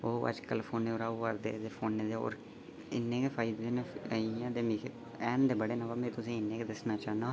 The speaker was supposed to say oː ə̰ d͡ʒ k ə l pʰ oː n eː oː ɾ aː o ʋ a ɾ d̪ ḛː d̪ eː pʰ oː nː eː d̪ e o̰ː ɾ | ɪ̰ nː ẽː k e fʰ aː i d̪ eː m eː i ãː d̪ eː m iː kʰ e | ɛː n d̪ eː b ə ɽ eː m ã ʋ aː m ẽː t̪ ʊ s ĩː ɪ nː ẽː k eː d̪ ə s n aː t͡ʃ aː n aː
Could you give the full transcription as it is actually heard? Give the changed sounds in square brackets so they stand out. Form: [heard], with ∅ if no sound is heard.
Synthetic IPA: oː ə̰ d͡ʒ k ə l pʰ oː n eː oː ɾ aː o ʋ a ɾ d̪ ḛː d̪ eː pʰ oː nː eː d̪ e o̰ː ɾ | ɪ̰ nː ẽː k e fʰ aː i d̪ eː [n] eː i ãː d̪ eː m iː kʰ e | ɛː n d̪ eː b ə ɽ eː [n] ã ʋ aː m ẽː t̪ ʊ s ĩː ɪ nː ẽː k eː d̪ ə s n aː t͡ʃ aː n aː